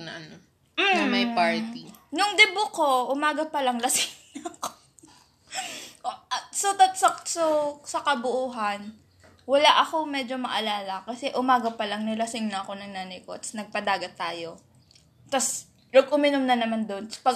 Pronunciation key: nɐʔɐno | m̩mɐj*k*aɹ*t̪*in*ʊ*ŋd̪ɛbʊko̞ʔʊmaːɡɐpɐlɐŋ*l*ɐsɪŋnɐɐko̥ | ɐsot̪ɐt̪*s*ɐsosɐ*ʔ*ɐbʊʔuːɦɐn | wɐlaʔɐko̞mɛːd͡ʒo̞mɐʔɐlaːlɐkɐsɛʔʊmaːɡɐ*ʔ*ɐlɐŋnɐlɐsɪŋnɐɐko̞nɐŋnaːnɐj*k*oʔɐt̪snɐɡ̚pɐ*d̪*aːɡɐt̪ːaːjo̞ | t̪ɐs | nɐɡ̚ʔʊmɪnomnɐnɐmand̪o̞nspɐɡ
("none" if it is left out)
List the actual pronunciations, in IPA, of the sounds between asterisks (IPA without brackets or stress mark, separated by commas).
p, t̪, ʊ, l, s, k, p, k, d̪